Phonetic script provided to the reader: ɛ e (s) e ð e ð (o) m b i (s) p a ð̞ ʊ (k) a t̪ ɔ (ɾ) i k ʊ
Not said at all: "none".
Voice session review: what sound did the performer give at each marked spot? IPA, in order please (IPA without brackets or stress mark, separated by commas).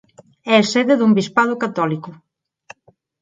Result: s, u, s, k, l